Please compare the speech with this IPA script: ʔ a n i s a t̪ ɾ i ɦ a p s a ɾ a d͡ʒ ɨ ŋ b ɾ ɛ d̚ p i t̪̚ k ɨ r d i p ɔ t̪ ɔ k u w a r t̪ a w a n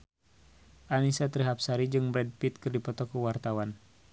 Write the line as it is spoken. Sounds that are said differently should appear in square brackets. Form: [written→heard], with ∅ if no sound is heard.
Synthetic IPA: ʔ a n i s a t̪ ɾ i ɦ a p s a ɾ [a→i] d͡ʒ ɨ ŋ b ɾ ɛ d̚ p i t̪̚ k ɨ r d i p ɔ t̪ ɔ k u w a r t̪ a w a n